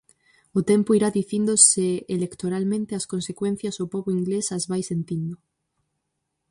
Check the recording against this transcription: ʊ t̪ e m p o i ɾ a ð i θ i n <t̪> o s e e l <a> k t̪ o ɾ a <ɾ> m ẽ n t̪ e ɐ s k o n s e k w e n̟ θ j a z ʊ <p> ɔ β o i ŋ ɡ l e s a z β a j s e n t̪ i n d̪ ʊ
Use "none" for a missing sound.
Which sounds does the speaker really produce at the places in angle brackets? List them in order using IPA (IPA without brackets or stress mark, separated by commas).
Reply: d̪, e, l, p